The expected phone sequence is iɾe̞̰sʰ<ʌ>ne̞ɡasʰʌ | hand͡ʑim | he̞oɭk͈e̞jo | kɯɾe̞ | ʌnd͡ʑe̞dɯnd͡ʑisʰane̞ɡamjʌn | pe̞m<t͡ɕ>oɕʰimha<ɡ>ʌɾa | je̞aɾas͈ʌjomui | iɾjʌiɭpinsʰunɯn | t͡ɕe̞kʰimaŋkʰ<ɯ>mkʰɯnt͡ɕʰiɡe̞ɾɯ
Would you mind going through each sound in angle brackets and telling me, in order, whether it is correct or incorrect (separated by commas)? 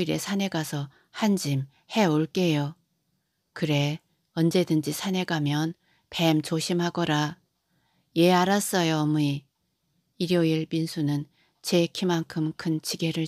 incorrect, correct, correct, correct